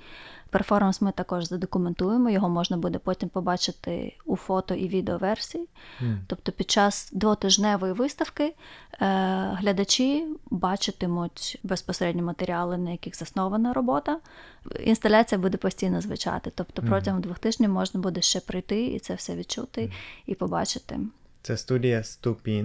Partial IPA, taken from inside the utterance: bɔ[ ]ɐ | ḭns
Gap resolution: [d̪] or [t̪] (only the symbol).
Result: t̪